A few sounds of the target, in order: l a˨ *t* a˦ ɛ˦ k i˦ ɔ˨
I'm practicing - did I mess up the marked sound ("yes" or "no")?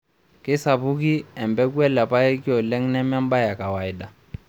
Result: yes